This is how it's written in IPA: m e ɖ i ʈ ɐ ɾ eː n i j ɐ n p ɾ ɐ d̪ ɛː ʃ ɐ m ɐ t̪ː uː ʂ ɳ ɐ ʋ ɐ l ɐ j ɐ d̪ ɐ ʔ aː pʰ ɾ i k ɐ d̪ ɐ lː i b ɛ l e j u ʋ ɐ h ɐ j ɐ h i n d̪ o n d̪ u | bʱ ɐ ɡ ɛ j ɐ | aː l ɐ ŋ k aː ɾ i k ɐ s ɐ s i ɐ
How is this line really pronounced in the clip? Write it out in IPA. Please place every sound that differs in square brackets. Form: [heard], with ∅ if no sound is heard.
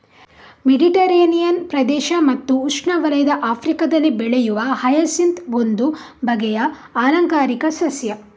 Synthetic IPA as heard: m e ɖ i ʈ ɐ ɾ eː n i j ɐ n p ɾ ɐ d̪ ɛː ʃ ɐ m ɐ t̪ː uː ʂ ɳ ɐ ʋ ɐ l ɐ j ɐ d̪ ɐ ʔ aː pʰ ɾ i k ɐ d̪ ɐ lː i b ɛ [ɭ] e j u ʋ ɐ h ɐ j ɐ [s] i n [t̪] o n d̪ u | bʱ ɐ ɡ ɛ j ɐ | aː l ɐ ŋ k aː ɾ i k ɐ s ɐ s [j] ɐ